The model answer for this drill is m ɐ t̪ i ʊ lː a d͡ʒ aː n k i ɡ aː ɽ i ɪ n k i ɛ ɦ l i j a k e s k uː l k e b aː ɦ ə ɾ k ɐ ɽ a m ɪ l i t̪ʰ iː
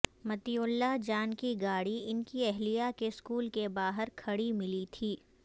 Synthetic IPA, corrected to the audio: m ɐ t̪ i ʊ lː a d͡ʒ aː n k i ɡ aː ɽ i ɪ n k i ɛ ɦ l i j a k e s k uː l k e b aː ɦ ə ɾ kʰ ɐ ɽ i m ɪ l i t̪ʰ iː